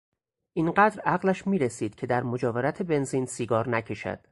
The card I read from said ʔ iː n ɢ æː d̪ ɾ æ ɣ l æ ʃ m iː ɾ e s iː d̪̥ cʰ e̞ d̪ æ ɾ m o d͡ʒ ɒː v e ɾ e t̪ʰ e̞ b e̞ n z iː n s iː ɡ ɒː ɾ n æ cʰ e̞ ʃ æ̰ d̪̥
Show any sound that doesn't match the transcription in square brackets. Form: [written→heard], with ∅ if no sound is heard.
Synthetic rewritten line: ʔ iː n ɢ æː d̪ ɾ æ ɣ l æ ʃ m iː ɾ e s iː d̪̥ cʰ e̞ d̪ æ ɾ m o d͡ʒ ɒː v e ɾ [e→æ] t̪ʰ e̞ b e̞ n z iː n s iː ɡ ɒː ɾ n æ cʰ e̞ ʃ æ̰ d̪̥